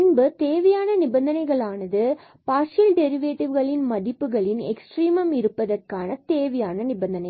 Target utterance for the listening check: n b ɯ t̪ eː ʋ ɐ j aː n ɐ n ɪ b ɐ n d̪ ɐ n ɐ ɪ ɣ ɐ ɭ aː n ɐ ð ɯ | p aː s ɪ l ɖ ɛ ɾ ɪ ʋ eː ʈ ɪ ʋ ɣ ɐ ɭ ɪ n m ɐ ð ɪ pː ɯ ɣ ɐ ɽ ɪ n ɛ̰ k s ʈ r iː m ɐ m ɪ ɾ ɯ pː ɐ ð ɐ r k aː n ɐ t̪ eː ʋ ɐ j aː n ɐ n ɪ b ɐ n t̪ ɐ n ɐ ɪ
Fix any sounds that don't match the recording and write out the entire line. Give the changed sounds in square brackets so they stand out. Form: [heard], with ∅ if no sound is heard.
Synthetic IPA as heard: n b ɯ t̪ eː ʋ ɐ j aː n ɐ n ɪ b ɐ n d̪ ɐ n ɐ ɪ ɣ ɐ ɭ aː n ɐ ð ɯ | p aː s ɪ l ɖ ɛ ɾ ɪ ʋ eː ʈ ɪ ʋ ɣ ɐ ɭ ɪ n m ɐ ð ɪ pː ɯ ɣ ɐ [ɭ] ɪ n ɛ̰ k s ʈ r iː m ɐ m ɪ ɾ ɯ pː ɐ ð ɐ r k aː n ɐ t̪ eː ʋ ɐ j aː n ɐ n ɪ b ɐ n [d̪] ɐ n ɐ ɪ